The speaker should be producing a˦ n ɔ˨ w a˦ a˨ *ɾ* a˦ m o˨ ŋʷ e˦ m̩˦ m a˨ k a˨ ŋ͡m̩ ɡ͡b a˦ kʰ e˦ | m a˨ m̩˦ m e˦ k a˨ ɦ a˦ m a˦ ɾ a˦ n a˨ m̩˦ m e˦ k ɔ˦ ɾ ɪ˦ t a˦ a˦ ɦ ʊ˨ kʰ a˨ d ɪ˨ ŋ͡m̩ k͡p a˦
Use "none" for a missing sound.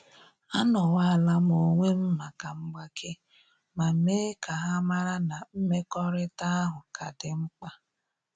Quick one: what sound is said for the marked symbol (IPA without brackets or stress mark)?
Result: l